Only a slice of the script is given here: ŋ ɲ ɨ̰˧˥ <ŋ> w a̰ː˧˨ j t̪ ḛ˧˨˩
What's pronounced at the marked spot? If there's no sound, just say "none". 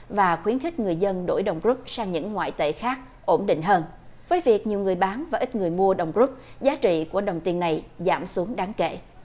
ŋː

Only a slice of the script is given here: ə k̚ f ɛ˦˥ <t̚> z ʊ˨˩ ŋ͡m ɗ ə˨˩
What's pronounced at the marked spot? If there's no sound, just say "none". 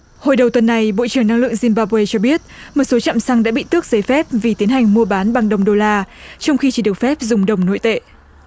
p̚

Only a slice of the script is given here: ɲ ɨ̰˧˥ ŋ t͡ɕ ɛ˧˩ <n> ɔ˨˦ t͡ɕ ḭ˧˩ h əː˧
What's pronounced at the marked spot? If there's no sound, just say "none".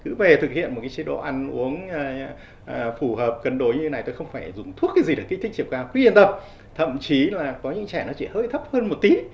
n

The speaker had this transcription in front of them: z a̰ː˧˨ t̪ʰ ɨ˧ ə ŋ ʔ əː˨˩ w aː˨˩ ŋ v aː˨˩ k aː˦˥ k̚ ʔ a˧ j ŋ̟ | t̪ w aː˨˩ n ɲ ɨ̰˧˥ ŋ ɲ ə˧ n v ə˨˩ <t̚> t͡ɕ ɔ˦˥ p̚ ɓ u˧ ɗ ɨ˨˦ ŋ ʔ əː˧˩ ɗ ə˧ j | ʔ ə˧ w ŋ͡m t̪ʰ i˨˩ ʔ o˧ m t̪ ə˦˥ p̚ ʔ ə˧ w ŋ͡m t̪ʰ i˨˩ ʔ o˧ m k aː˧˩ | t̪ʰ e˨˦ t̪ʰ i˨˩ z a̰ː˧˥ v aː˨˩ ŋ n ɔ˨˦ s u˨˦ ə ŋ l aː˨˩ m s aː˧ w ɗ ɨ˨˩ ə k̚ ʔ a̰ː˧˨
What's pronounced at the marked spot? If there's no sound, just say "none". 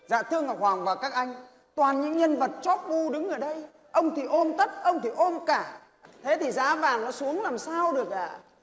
t̚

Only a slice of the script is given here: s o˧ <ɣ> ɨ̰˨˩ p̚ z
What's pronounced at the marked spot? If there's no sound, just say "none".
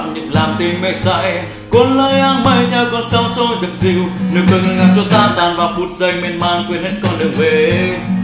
z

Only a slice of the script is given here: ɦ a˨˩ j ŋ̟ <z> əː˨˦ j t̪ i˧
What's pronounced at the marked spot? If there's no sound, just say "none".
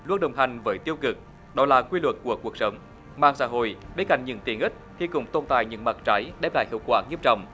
v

